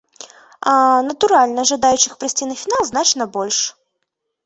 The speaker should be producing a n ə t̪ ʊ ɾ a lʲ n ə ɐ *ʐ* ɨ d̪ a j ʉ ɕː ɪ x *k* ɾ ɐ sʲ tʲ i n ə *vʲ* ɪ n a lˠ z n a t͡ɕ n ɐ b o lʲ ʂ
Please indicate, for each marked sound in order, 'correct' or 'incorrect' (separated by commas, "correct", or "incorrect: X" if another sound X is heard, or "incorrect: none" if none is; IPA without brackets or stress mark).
correct, incorrect: p, incorrect: fʲ